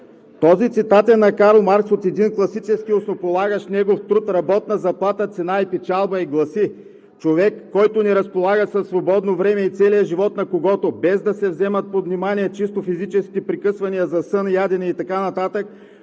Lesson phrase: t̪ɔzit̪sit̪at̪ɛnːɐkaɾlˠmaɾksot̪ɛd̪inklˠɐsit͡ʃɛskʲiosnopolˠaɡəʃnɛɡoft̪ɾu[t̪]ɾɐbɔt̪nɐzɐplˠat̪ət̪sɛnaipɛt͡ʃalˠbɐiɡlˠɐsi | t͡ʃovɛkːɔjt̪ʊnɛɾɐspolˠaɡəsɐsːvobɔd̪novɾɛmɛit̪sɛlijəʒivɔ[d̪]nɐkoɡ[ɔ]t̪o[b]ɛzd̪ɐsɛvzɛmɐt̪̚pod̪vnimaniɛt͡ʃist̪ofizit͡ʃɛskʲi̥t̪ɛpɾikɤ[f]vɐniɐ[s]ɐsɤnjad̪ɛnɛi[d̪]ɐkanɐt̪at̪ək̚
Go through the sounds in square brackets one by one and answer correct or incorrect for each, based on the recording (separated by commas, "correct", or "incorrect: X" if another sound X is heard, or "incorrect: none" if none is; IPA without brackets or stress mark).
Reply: correct, incorrect: t̪, correct, correct, incorrect: s, incorrect: z, incorrect: t̪